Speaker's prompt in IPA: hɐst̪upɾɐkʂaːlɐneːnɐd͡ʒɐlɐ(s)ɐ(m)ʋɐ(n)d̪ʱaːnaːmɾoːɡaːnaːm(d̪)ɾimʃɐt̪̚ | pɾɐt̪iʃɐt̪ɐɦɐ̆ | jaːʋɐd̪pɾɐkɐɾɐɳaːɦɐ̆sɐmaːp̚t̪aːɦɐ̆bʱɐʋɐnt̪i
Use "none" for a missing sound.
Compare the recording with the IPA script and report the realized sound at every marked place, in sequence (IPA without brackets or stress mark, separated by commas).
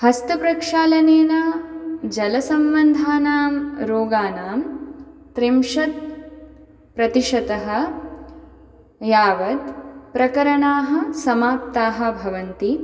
s, m, n, t̪